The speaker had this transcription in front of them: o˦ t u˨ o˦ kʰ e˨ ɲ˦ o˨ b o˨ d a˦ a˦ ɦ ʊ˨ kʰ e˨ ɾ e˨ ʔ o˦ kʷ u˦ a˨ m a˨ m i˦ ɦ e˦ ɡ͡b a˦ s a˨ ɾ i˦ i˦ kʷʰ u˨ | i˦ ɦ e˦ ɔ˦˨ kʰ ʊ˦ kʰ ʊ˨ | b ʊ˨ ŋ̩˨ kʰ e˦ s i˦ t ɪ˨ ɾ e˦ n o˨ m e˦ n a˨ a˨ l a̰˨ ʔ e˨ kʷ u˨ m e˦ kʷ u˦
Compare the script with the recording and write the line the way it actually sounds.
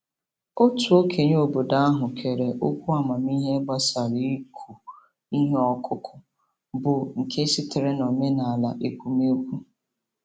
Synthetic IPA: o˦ t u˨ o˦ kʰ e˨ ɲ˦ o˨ b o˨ d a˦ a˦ ɦ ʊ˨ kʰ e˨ ɾ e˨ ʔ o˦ kʷ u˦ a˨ m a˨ m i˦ ɦ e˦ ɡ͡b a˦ s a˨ ɾ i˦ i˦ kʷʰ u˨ | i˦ ɦ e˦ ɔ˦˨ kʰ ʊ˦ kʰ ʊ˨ | b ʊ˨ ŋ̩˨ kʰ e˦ s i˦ t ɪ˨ ɾ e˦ n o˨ m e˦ n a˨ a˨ l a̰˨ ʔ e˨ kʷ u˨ m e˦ kʷ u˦